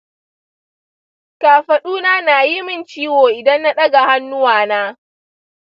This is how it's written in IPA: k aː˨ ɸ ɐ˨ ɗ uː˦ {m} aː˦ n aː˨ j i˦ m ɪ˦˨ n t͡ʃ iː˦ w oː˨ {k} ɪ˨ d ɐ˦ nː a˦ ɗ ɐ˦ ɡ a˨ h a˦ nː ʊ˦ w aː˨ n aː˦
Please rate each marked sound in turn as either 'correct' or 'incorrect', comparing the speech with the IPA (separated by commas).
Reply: incorrect, incorrect